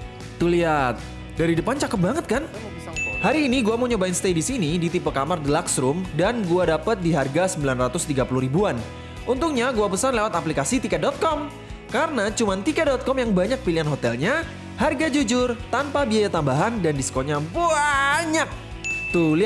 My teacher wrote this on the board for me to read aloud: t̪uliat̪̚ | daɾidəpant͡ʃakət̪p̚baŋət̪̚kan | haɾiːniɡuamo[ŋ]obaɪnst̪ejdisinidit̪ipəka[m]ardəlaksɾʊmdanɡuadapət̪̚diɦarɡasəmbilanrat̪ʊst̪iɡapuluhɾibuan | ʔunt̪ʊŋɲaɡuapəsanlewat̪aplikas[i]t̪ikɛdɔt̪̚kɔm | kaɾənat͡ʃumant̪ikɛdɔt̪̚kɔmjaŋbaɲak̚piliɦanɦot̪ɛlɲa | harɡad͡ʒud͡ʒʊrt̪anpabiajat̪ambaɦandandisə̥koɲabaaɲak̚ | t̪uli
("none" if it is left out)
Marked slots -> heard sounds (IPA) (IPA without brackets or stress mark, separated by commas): ɲ, m, i